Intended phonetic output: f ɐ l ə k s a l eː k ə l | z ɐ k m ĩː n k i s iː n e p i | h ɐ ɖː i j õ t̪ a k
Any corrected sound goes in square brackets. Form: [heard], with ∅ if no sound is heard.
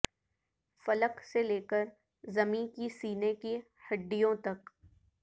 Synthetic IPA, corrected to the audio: f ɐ l ə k s [e] l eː k ə [ɾ] | z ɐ [∅] m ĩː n k i s iː n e [k] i | h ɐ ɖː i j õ t̪ [ɐ] k